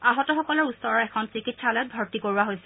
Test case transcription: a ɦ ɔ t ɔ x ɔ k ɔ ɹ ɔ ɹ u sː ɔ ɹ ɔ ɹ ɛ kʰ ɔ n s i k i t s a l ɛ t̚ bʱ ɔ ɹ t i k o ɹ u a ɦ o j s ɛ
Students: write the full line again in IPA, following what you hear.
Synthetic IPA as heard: a ɦ ɔ t ɔ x ɔ k ɔ l ɔ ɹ u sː ɔ ɹ ɔ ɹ ɛ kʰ ɔ n s i k i t s a l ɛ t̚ bʱ ɔ ɹ t i k o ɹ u a ɦ o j s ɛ

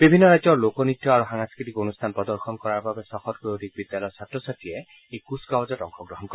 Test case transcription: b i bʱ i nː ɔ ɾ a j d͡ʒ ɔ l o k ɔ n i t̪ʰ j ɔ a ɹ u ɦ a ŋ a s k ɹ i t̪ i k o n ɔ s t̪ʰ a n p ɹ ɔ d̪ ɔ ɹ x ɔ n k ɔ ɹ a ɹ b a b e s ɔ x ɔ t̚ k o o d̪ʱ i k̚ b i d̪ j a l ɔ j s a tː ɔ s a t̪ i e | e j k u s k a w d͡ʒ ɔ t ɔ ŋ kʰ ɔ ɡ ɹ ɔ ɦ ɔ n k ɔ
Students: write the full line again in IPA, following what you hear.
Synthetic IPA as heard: b i bʱ i nː ɔ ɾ a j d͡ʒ ɔ l o k ɔ n i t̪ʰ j ɔ a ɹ u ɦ a ŋ a s k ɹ i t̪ i k o n u s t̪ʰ a n p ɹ ɔ d̪ ɔ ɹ x ɔ n k ɔ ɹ a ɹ b a b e s ɔ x ɔ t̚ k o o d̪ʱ i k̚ b i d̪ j a l ɔ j s a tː ɔ s a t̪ i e | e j k u s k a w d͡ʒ ɔ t ɔ ŋ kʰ ɔ ɡ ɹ ɔ ɦ ɔ n k ɔ

